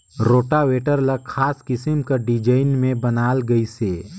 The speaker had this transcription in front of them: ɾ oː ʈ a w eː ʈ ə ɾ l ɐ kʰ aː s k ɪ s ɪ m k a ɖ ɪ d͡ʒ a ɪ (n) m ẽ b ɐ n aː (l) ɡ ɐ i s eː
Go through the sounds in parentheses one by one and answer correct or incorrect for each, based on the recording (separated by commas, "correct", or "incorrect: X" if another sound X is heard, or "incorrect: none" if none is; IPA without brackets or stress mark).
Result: correct, correct